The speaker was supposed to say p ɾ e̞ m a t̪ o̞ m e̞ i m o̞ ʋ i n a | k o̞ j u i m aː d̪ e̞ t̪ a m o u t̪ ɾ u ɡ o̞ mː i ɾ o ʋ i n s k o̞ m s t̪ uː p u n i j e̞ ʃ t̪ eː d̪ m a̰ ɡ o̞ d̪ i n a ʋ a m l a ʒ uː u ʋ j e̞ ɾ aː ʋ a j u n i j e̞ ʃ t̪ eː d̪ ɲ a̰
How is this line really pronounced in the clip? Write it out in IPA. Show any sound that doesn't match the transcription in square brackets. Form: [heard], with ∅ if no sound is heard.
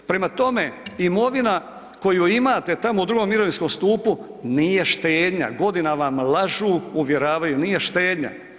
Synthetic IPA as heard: p ɾ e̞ m a t̪ o̞ m e̞ i m o̞ ʋ i n a | k o̞ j u i m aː [t̪] e̞ t̪ a m o u [d̪] ɾ u ɡ o̞ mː i ɾ o ʋ i n s k o̞ m s t̪ uː p u n i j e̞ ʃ t̪ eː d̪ [ɲ] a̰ ɡ o̞ d̪ i n a ʋ a m l a ʒ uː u ʋ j e̞ ɾ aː ʋ a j u n i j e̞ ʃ t̪ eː d̪ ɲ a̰

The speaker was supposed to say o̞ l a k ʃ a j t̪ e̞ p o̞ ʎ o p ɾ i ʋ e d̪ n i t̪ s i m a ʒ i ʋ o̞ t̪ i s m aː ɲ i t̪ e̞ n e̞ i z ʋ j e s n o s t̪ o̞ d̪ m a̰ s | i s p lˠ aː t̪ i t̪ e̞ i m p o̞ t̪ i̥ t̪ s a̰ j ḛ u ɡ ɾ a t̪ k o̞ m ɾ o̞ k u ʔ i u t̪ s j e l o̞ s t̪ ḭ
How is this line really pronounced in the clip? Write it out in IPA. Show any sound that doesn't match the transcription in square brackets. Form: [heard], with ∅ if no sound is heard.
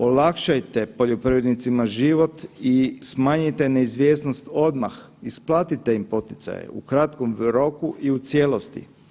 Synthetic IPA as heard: o̞ l a k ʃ a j t̪ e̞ p o̞ ʎ o p ɾ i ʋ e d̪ n i t̪ s i m a ʒ i ʋ o̞ t̪ i s m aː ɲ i t̪ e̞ n e̞ i z ʋ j e s n o s t̪ o̞ d̪ m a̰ [x] | i s p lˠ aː t̪ i t̪ e̞ i m p o̞ t̪ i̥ t̪ s a̰ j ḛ u [k] ɾ a t̪ k o̞ m ɾ o̞ k u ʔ i u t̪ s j e l o̞ s t̪ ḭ

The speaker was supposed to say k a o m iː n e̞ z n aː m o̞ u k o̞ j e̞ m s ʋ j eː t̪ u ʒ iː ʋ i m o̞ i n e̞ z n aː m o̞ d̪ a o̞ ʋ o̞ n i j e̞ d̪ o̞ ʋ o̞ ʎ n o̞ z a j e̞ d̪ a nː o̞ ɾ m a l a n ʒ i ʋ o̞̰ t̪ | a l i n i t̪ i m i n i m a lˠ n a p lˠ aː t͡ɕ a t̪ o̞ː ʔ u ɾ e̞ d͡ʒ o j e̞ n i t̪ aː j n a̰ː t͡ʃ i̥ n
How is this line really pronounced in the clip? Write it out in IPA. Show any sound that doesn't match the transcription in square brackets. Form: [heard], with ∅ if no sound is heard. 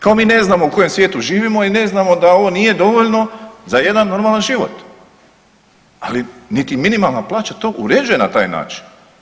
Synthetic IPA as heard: k a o m iː n e̞ z n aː m o̞ u k o̞ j e̞ m s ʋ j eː t̪ u ʒ iː ʋ i m o̞ i n e̞ z n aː m o̞ d̪ a o̞ ʋ o̞ n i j e̞ d̪ o̞ ʋ o̞ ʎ n o̞ z a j e̞ d̪ a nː o̞ ɾ m a l a n ʒ i ʋ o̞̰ t̪ | a l i n i t̪ i m i n i m a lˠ n a p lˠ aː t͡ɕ a t̪ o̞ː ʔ u ɾ e̞ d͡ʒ [u] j e̞ n [a] t̪ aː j n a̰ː t͡ʃ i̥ n

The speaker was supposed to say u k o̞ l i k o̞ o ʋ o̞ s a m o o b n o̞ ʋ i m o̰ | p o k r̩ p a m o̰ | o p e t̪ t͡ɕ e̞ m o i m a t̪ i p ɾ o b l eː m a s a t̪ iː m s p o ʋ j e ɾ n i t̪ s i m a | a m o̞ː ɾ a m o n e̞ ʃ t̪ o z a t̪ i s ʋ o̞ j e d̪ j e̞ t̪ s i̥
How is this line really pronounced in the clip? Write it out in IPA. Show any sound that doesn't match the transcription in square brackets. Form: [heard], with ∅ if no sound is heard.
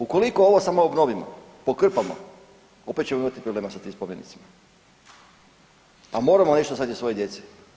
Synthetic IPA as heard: u k o̞ l i k o̞ o ʋ o̞ s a m o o b n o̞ ʋ i m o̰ | p o k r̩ p a m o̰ | o p e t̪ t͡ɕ e̞ m o i m a t̪ i p ɾ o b l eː m a s a t̪ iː m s p o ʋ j e [∅] n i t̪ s i m a | a m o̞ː ɾ a m o n e̞ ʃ t̪ o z a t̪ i s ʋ o̞ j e d̪ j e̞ t̪ s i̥

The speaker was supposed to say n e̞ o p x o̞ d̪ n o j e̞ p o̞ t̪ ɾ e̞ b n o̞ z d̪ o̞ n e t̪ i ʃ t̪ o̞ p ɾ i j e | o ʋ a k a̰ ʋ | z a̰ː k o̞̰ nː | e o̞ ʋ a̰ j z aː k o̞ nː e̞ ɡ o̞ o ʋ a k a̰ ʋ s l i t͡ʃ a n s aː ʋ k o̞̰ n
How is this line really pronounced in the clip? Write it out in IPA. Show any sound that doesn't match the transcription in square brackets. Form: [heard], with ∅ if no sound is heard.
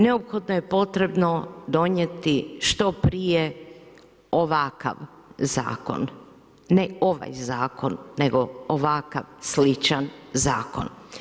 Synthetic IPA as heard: n e̞ o p x o̞ d̪ n o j e̞ p o̞ t̪ ɾ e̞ b n o̞ [∅] d̪ o̞ [ɲ] e t̪ i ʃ t̪ o̞ p ɾ i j e | o ʋ a k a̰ ʋ | z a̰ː k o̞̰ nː | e o̞ ʋ a̰ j z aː k o̞ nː e̞ ɡ o̞ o ʋ a k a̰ ʋ s l i t͡ʃ a n [z] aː [∅] k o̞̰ n

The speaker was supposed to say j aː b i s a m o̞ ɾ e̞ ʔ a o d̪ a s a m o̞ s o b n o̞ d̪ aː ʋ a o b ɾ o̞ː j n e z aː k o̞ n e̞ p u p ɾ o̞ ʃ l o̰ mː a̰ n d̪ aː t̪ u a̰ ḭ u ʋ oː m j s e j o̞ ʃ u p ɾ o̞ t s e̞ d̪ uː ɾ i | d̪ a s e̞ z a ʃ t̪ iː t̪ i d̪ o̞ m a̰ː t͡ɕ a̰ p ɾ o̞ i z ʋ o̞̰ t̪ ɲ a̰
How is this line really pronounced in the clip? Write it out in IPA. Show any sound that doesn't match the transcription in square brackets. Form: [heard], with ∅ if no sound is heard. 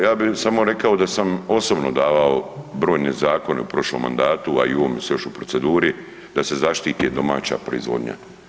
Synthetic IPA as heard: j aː b i s a m o̞ ɾ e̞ [k] a o d̪ a s a m o̞ s o b n o̞ d̪ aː ʋ a o b ɾ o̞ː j n e z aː k o̞ n e̞ [∅] u p ɾ o̞ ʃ l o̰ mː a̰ n d̪ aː t̪ u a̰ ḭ u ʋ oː m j s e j o̞ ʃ u p ɾ o̞ t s e̞ d̪ uː ɾ i | d̪ a s e̞ z a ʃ t̪ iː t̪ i d̪ o̞ m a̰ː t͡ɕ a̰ p ɾ o̞ i z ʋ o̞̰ [d̪] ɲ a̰

